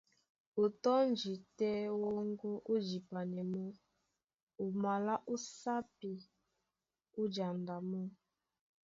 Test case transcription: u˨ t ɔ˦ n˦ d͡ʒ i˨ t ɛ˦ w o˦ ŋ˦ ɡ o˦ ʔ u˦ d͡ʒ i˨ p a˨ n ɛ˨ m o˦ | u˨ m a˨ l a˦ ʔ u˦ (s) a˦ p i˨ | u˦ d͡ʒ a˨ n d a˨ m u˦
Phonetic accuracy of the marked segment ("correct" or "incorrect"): correct